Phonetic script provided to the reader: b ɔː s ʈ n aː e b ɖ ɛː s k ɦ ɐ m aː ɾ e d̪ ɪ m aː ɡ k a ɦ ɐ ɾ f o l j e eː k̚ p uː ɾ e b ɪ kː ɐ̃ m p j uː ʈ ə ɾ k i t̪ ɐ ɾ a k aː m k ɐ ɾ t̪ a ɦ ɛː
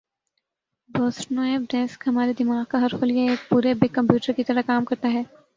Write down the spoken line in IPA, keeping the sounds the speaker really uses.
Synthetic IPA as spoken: b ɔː s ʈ n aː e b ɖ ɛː s k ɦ ɐ m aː ɾ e d̪ ɪ m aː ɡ k a ɦ ɐ ɾ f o l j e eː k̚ p uː ɾ e b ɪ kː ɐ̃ m p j uː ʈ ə ɾ k i t̪ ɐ ɾ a k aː m k ɐ ɾ t̪ a ɦ ɛː